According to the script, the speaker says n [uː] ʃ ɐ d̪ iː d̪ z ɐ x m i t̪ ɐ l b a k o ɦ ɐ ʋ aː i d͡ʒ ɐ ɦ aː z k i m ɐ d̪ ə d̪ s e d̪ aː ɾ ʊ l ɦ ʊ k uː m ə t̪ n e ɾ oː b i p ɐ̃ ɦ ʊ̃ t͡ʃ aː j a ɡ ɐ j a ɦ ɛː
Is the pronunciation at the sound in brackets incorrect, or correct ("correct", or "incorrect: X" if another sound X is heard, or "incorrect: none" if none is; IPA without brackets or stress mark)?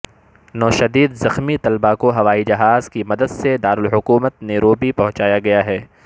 incorrect: ɔː